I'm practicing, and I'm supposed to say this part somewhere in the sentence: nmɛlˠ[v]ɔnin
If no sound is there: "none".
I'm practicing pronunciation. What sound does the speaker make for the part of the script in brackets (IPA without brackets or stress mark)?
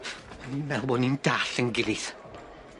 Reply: b